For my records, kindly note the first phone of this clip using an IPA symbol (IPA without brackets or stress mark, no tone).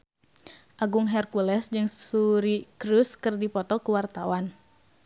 ʔ